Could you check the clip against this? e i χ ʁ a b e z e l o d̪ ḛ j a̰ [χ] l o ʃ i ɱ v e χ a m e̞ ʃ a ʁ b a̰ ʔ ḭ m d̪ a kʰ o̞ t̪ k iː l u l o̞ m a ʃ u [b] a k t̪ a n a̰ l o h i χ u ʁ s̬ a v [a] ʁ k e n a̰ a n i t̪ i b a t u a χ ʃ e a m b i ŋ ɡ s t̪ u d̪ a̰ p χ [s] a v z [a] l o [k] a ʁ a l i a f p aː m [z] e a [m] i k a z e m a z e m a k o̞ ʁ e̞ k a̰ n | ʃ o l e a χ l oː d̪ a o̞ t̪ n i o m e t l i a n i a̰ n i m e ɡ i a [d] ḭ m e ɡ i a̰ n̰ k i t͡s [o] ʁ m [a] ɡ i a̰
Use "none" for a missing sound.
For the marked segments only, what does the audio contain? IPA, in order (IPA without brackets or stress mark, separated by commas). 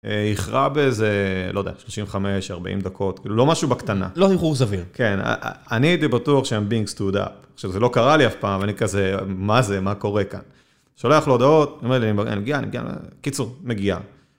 ʃ, b, i, ʃ, e, k, v, n, n, u, e